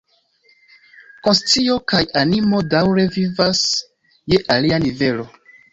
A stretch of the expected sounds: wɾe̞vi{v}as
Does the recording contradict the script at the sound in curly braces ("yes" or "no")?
no